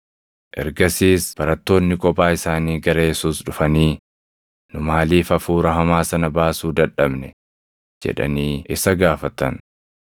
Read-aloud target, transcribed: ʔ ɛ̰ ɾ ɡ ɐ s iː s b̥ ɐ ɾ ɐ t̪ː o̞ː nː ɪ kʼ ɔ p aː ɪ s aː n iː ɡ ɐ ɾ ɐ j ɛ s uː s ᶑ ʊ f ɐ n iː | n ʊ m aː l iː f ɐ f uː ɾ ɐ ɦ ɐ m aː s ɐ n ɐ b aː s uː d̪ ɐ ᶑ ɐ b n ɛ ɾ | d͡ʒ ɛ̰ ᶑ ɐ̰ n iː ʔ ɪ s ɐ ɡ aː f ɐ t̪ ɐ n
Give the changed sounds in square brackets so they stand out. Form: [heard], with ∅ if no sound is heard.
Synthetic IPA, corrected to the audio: ʔ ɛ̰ ɾ ɡ ɐ s iː s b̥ ɐ ɾ ɐ t̪ː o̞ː nː ɪ kʼ ɔ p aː ɪ s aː n iː ɡ ɐ ɾ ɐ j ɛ s uː s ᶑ ʊ f ɐ n iː | n ʊ m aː l iː f ɐ f uː ɾ ɐ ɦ ɐ m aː s ɐ n ɐ b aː s uː d̪ ɐ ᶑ ɐ b n ɛ [∅] | d͡ʒ ɛ̰ ᶑ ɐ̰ n iː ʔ ɪ s ɐ ɡ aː f ɐ t̪ ɐ n